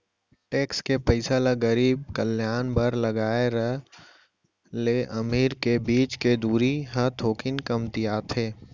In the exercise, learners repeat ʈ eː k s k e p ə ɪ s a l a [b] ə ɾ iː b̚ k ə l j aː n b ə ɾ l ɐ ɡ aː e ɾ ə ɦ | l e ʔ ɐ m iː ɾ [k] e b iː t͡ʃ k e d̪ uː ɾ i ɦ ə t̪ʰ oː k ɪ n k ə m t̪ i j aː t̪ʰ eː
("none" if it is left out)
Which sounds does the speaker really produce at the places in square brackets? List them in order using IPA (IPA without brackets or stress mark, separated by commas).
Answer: ɡ, k